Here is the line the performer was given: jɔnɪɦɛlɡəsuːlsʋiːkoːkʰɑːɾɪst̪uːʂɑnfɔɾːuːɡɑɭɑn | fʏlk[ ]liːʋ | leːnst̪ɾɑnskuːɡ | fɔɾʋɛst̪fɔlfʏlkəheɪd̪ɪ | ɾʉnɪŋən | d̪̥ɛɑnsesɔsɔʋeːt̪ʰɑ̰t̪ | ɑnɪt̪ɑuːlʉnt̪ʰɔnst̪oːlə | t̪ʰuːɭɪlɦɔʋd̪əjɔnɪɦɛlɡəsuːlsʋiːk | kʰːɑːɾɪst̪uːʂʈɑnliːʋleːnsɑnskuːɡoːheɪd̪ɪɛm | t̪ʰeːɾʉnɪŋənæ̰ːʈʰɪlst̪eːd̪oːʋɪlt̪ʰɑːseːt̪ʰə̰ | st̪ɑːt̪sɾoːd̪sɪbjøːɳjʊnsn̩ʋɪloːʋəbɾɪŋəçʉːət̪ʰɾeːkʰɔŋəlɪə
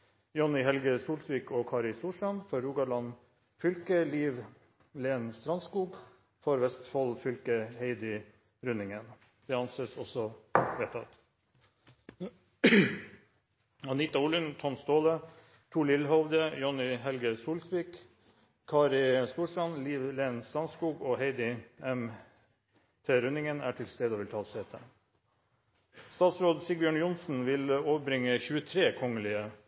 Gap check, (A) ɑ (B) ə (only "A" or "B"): B